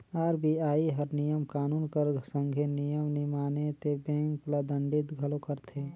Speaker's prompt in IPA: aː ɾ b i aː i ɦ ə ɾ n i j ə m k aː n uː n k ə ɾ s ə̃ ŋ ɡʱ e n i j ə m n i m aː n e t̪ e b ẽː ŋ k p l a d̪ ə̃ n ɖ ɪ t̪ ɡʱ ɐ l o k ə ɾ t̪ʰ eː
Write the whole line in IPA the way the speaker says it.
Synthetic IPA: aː ɾ b i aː i ɦ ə ɾ n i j ə m k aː n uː n k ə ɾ s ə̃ ŋ ɡʱ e n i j ə m n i m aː n e t̪ e b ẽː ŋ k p l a d̪ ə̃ ɳ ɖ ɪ t̪ ɡʱ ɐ l o k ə ɾ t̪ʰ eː